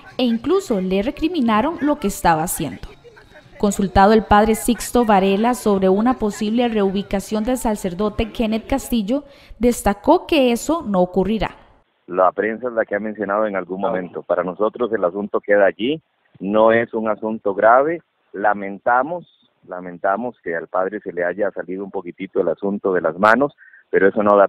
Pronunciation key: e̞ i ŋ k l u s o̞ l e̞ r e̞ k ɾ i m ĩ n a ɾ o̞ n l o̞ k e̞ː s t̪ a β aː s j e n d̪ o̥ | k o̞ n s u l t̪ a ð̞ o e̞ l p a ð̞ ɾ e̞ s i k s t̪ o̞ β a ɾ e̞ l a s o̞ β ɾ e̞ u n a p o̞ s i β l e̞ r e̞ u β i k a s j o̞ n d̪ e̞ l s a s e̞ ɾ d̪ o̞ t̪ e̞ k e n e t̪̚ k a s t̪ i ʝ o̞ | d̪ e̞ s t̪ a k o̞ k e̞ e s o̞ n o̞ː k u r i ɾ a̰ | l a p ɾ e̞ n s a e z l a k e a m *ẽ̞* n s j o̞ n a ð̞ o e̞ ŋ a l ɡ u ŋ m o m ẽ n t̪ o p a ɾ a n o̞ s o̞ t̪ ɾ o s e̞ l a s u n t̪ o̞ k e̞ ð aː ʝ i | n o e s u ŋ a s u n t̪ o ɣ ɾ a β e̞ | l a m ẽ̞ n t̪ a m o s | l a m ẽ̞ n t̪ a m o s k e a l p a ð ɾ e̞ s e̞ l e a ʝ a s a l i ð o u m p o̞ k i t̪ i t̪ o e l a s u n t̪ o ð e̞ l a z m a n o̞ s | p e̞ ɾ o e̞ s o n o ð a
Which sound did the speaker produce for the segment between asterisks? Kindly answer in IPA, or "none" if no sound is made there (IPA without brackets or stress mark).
e̞